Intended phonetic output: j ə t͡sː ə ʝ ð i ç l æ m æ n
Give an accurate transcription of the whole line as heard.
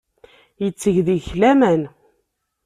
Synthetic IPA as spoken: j ə t͡sː ə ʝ ð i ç l æ m æ n